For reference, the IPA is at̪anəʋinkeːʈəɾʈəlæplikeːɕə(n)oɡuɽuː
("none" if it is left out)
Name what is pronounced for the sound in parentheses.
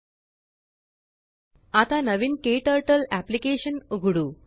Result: n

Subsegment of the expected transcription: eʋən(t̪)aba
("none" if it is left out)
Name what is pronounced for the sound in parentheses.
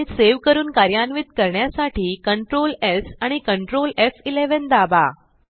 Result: d̪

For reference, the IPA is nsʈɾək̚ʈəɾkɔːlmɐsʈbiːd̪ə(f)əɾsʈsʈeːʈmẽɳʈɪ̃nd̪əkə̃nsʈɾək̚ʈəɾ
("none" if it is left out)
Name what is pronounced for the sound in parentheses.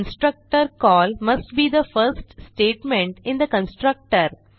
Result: f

